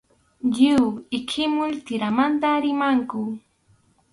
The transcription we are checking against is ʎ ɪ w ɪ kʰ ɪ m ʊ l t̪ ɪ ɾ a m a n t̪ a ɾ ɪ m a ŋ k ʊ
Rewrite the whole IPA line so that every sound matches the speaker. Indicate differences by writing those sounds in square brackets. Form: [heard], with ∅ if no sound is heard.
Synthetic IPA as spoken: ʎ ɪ w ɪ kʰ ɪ m ʊ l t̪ ɪ ɾ a m a n t̪ a ɾ ɪ m a ŋ k ʊ